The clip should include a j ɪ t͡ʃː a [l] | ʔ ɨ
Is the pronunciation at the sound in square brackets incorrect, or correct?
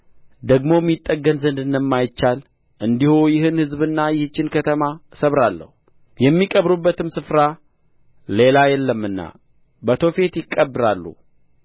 correct